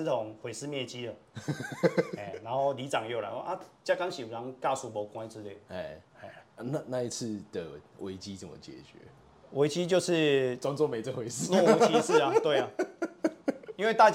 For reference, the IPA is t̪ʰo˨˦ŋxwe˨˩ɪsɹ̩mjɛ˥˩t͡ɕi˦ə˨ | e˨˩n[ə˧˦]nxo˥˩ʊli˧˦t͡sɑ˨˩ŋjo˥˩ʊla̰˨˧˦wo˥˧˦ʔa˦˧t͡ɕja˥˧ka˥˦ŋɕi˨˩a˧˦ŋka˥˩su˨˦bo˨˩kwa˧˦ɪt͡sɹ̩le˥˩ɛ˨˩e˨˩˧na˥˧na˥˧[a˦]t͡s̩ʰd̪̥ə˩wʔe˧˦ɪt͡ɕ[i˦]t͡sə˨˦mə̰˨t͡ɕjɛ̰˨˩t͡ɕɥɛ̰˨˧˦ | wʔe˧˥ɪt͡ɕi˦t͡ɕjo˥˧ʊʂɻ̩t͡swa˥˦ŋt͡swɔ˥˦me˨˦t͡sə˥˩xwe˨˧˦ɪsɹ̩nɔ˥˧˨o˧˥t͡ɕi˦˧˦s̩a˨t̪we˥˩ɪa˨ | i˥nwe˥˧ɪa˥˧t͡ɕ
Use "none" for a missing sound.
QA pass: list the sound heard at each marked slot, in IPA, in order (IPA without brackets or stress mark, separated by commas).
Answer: a˧˦, i˦, i˦